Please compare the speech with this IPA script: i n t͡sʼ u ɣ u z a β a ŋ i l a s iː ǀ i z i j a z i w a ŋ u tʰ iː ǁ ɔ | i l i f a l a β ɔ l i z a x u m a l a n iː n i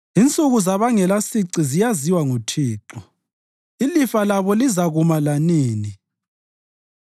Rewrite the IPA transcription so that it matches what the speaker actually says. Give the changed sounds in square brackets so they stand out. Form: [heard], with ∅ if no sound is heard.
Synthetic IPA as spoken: i n t͡sʼ u ɣ u z a β a ŋ [ɛ] l a s [i] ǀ i z i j a z i w a ŋ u tʰ iː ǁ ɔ | i l i f a l a β ɔ l i z a [ɣ] u m a l a n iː n i